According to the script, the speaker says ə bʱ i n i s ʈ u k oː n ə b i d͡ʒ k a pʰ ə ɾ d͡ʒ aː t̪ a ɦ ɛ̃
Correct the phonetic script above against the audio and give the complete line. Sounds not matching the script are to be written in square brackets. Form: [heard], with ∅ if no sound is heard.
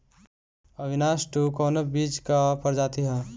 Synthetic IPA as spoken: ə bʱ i n [a] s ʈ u k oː n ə b i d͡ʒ k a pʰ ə ɾ d͡ʒ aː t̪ [i] ɦ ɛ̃